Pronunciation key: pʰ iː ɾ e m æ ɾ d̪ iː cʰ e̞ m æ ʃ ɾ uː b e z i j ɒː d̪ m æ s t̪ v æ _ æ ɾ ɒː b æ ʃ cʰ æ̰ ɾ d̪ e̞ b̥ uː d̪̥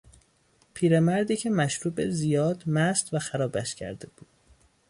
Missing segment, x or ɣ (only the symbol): x